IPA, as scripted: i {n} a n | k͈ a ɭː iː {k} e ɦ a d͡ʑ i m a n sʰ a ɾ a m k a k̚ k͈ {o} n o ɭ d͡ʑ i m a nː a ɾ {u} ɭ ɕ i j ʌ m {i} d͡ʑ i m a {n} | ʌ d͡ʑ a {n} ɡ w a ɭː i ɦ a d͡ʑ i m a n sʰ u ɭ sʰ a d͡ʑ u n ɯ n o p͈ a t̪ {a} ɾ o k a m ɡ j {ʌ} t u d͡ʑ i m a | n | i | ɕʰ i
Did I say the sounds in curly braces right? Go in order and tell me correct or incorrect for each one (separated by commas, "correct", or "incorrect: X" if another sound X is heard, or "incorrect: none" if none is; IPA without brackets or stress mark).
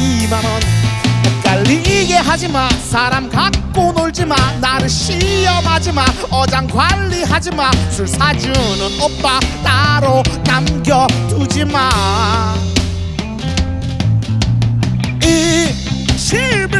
incorrect: m, incorrect: ɡ, correct, incorrect: ɯ, incorrect: a, correct, incorrect: ŋ, correct, correct